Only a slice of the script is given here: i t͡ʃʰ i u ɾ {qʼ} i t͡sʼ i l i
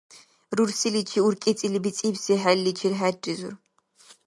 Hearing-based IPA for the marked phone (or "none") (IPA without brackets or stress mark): kʼ